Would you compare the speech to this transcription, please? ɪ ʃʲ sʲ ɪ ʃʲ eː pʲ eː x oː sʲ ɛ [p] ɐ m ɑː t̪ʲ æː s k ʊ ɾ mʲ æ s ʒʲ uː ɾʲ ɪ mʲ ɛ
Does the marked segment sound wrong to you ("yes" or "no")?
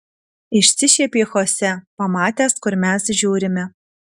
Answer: no